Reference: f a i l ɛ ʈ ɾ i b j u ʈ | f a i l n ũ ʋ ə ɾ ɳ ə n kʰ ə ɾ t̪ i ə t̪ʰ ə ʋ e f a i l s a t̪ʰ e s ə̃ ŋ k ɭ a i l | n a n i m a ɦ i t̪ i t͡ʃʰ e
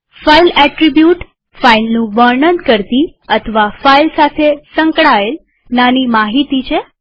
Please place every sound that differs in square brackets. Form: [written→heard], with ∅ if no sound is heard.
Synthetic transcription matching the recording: f a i l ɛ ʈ ɾ i b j u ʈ | f a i l n ũ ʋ ə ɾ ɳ ə n [kʰ→k] ə ɾ t̪ i ə t̪ʰ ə ʋ [e→a] f a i l s a t̪ʰ e s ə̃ ŋ k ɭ a [i→e] l | n a n i m a ɦ i t̪ i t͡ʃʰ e